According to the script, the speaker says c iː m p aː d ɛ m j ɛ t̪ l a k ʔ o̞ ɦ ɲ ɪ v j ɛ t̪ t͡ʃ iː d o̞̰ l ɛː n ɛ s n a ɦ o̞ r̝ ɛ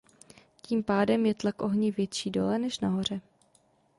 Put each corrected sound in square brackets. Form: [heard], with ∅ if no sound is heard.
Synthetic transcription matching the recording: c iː m p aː d ɛ m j ɛ t̪ l a k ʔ o̞ ɦ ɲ ɪ v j ɛ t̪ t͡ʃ iː d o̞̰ l [ɛ] n ɛ [ʃ] n a ɦ o̞ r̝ ɛ